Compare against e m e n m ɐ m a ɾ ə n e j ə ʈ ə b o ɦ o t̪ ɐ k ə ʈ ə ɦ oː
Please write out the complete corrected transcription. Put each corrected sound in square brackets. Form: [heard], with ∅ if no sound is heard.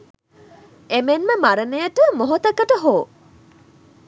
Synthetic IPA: e m e n m [ə] m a ɾ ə n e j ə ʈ ə [m] o ɦ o t̪ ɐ k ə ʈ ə ɦ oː